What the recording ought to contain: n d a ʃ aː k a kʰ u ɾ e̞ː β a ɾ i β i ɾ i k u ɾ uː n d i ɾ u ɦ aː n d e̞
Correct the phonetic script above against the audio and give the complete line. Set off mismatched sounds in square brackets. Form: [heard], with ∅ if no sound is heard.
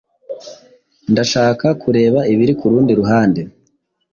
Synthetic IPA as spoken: n d a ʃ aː k a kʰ u ɾ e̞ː β a [∅] i β i ɾ i k u ɾ uː n d i ɾ u ɦ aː n d e̞

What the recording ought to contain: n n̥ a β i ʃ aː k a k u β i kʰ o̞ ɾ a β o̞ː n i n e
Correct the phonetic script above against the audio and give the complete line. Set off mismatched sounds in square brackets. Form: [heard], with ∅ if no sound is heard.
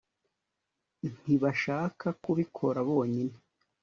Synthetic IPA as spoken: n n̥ [i] β [a] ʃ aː k a k u β i kʰ o̞ ɾ a β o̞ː [ɲ] i n e

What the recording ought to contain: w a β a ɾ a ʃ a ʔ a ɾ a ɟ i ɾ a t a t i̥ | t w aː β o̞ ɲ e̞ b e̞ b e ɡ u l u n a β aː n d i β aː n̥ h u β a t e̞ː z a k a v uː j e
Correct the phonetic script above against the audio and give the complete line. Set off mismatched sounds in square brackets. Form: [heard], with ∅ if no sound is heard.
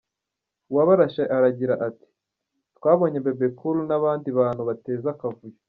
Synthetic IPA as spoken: w a β a ɾ a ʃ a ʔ a ɾ a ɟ i ɾ a [ʔ] a t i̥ | t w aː β o̞ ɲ e̞ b e̞ b e [k] u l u n a β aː n d i β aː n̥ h u β a t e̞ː z a k a v [u] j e

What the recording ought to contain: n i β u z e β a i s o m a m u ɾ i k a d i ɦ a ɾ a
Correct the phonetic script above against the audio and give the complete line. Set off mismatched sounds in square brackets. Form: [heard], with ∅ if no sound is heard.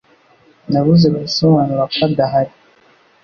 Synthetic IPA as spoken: n [a] β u z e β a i s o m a [n] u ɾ [a] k a d [a] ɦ a ɾ [i]

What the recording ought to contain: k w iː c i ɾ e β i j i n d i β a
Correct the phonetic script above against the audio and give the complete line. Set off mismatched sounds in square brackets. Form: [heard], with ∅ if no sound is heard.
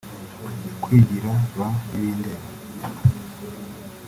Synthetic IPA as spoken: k w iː [ɟ] i ɾ [a] β [a] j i n d [e] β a

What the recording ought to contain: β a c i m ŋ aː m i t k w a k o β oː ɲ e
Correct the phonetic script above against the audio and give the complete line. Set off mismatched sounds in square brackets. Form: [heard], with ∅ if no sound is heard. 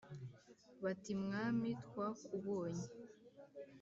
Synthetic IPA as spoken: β a [t] i m ŋ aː m i t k w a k [u] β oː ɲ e

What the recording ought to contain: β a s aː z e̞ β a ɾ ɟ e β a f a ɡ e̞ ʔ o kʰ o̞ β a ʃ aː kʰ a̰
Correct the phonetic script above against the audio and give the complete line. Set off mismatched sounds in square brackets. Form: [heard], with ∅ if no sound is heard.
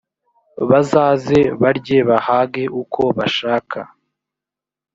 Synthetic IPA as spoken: β a [z] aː z e̞ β a ɾ ɟ e β a [h] a ɡ e̞ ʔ [u] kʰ o̞ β a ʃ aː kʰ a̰

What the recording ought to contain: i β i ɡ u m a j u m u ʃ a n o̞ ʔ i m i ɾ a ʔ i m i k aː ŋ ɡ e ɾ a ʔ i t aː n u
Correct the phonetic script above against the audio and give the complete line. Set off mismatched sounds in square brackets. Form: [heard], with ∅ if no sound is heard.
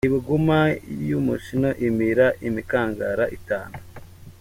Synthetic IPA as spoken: i β i ɡ u m a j u m u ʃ [i] n o̞ ʔ i m i ɾ a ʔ i m i k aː ŋ ɡ [a] ɾ a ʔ i t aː n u

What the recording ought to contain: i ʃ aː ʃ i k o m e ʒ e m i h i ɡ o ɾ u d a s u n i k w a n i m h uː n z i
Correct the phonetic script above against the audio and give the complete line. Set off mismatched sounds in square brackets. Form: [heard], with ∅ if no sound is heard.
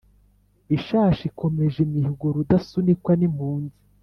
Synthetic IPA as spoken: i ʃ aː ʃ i k o m e ʒ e m i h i ɡ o ɾ u d a s u n i k w a n i m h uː n z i

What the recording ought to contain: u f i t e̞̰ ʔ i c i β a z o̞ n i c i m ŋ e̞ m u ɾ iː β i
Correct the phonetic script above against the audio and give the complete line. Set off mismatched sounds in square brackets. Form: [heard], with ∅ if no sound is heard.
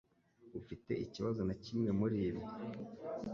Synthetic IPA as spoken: u f i t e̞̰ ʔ i c i β a z o̞ n [a] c i m ŋ e̞ m u ɾ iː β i

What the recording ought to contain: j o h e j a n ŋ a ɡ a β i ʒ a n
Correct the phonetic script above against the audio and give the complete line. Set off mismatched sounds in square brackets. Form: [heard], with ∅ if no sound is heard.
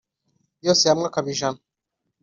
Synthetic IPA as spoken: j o [s] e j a [m] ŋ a [k] a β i ʒ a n

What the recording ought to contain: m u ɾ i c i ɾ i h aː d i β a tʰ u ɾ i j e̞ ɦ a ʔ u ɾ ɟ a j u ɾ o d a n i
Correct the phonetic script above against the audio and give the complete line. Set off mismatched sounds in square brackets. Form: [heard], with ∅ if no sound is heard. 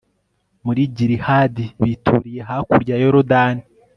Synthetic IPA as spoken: m u ɾ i [ɟ] i ɾ i h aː d i β [i] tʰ u ɾ i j e̞ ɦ a [k] u ɾ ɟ a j [o] ɾ o d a n i

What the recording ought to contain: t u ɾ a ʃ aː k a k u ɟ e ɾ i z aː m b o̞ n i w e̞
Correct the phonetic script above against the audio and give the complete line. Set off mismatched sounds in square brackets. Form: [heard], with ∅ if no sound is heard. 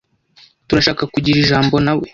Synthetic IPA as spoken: t u ɾ a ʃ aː k a k u ɟ [i] ɾ i [ʒ] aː m b o̞ n [a] w e̞

